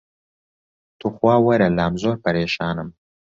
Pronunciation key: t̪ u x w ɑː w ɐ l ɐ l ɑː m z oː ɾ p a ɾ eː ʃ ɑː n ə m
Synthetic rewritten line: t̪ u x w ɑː w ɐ ɾ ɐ l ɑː m z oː ɾ p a ɾ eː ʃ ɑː n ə m